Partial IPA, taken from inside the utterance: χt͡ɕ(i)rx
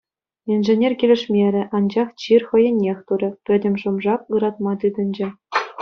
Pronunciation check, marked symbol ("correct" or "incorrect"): correct